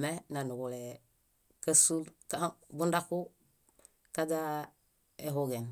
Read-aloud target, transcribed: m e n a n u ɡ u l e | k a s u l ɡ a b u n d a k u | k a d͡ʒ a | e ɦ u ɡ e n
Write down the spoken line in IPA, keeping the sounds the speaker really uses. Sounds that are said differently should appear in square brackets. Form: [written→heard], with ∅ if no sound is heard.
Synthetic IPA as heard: m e n a n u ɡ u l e | k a s u l [ɡ→k] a b u n d a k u | k a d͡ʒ a | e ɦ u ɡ e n